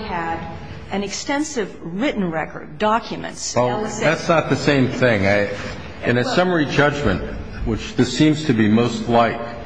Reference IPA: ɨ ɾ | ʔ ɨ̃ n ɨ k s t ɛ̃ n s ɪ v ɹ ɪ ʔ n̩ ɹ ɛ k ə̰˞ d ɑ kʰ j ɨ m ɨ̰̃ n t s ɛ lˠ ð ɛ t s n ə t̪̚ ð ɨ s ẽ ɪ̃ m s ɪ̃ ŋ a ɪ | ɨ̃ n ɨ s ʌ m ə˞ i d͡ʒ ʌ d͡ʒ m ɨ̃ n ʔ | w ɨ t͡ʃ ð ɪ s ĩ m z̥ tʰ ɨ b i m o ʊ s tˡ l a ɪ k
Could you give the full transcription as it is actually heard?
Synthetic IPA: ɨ ɾ | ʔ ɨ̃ n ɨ k s t ɛ̃ n s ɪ v ɹ ɪ ʔ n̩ ɹ ɛ k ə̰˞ d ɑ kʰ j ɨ m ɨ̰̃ n t s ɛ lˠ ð æ t s n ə t̪̚ ð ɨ s ẽ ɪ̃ m θ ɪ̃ ŋ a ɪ | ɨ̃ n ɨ s ʌ m ə˞ i d͡ʒ ʌ d͡ʒ m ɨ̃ n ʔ | w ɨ t͡ʃ ð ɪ s ĩ m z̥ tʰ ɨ b i m o ʊ s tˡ l a ɪ k

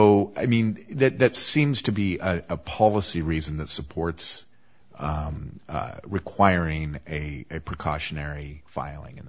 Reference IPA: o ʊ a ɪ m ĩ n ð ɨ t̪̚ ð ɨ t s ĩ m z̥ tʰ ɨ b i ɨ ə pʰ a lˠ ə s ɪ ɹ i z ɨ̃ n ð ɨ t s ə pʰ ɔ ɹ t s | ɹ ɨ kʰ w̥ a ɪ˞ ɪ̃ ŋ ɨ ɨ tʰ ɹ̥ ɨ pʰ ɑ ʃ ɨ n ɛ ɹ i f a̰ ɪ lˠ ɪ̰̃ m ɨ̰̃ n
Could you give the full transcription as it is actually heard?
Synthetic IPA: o ʊ a ɪ m ĩ n ð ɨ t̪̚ ð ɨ t s ĩ m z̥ tʰ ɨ b i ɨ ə pʰ ɑ lˠ ə s i ɹ i z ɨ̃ n ð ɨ t s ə pʰ ɔ ɹ t s | ɹ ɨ kʰ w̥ a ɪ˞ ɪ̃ ŋ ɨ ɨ pʰ ɹ̥ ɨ kʰ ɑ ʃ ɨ n ɛ ɹ i f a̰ ɪ lˠ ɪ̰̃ ŋ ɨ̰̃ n

